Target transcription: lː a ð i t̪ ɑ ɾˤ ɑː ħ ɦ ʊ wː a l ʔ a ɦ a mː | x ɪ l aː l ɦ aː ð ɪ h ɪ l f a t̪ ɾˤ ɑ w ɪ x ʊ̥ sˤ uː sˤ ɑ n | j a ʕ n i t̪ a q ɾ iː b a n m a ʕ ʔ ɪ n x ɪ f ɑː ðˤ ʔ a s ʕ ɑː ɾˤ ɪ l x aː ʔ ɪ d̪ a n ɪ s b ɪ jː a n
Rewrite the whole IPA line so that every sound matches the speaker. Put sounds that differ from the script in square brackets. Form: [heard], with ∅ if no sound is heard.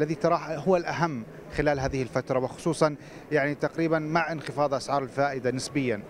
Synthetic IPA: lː a ð i t̪ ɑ ɾˤ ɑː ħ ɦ ʊ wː a l ʔ a ɦ a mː | x ɪ l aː l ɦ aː ð ɪ h ɪ l f a t̪ ɾˤ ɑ w ɪ x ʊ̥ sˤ uː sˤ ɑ n | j a ʕ n i t̪ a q ɾ iː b a n m a ʕ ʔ ɪ n x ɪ f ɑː ðˤ ʔ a s ʕ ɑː ɾˤ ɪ l [f] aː ʔ ɪ d̪ a n ɪ s b ɪ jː a n